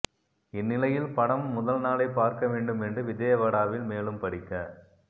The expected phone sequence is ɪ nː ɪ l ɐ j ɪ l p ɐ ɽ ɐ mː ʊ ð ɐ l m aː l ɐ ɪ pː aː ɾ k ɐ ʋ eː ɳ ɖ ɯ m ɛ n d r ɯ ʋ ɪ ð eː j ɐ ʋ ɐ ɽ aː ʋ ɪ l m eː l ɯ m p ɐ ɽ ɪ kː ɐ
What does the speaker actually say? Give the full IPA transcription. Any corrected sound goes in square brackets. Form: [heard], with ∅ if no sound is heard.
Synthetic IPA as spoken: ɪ nː ɪ l ɐ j ɪ l p ɐ ɽ ɐ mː ʊ ð ɐ l [n] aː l ɐ ɪ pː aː ɾ k ɐ ʋ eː ɳ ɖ ɯ m ɛ n d r ɯ ʋ ɪ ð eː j ɐ ʋ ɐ ɽ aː ʋ ɪ l m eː l ɯ m p ɐ ɽ ɪ kː ɐ